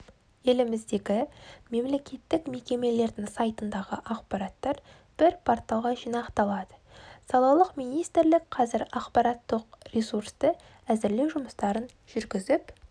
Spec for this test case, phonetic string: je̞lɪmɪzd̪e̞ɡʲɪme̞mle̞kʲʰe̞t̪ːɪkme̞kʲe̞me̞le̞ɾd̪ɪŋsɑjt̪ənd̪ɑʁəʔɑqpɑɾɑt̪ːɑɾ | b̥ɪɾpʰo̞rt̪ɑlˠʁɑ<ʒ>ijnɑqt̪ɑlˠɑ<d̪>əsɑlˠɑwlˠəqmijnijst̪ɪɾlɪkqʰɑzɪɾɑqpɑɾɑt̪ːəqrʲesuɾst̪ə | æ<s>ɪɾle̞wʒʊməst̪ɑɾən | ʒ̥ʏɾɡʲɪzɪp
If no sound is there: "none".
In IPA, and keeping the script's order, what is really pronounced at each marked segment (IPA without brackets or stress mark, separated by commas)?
ʒ, d̪, z